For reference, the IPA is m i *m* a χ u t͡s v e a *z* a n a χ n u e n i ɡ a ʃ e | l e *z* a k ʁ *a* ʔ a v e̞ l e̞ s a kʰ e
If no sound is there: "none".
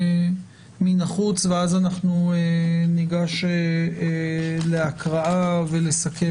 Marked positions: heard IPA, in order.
n, z, none, a

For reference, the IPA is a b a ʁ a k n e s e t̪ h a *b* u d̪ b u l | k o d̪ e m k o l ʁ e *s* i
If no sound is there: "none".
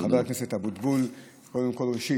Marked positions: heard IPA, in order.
b, ʃ

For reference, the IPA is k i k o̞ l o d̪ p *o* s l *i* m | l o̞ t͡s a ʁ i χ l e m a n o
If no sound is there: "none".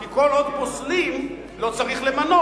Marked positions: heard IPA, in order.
o, i

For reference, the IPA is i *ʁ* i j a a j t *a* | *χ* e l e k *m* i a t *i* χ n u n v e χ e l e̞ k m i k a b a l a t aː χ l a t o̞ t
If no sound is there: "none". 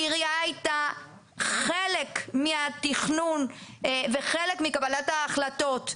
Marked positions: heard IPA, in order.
ʁ, a, χ, m, i

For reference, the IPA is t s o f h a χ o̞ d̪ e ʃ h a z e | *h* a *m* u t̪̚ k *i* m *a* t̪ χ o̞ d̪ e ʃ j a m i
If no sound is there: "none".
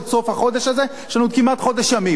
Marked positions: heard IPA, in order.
ʃ, n, i, a

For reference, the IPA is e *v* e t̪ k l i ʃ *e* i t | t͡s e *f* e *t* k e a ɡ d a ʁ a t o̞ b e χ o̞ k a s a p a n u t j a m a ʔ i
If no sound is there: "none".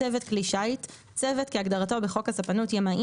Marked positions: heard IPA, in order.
v, a, v, t

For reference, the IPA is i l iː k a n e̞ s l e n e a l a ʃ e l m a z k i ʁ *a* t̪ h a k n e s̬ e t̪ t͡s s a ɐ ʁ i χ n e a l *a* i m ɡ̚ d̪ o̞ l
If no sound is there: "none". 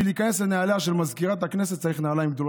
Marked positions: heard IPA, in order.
a, a

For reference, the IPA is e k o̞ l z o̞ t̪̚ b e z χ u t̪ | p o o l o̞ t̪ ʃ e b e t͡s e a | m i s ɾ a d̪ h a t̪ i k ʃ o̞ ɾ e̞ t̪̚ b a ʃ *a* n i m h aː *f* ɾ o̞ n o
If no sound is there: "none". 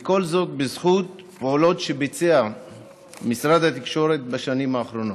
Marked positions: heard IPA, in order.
a, χ

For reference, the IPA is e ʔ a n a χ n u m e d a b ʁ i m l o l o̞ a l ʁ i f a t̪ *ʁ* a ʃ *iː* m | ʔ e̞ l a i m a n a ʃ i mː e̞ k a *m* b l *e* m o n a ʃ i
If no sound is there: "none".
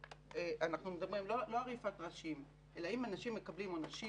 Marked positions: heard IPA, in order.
ʁ, i, none, i

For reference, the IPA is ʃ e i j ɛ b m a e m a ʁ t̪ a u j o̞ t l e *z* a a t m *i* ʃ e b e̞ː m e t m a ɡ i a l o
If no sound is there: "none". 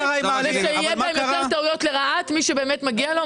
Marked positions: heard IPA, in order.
ʁ, i

